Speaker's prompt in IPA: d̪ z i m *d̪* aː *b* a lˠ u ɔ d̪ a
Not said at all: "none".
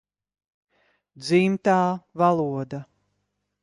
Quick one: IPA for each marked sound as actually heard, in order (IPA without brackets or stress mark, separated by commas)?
t̪, v